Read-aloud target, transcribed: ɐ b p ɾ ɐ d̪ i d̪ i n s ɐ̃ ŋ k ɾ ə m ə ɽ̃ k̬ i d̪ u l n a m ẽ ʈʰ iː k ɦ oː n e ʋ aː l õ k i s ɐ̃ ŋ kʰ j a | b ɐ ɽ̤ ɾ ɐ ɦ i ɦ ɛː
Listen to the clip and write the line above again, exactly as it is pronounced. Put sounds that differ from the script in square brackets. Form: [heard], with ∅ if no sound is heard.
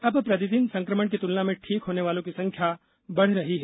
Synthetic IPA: ɐ b p ɾ ɐ d̪ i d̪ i n s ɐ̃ ŋ k ɾ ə m ə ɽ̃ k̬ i [t̪] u l n a m ẽ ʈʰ iː k ɦ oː n e ʋ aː l õ k i s ɐ̃ ŋ kʰ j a | b ɐ ɽ̤ ɾ ɐ ɦ i ɦ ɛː

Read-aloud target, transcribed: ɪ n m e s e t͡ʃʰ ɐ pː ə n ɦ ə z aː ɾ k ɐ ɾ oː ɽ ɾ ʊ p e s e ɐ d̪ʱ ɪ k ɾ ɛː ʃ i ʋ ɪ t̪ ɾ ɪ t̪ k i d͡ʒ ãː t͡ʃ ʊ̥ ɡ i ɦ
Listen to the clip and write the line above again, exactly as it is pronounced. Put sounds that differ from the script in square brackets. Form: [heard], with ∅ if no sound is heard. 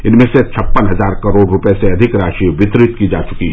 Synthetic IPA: ɪ n m [ẽ] s e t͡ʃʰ ɐ pː ə n ɦ [ɐ] z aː ɾ k ɐ ɾ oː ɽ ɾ ʊ p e s e ɐ d̪ʱ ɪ k ɾ [aː] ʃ i ʋ ɪ t̪ ɾ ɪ t̪ k i d͡ʒ [aː] t͡ʃ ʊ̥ [k] i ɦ

